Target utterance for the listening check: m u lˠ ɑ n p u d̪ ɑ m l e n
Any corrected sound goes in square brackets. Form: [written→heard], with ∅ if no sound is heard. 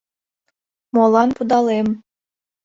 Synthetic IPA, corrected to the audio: m [u→o] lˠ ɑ n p u d̪ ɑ [m→∅] l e [n→m]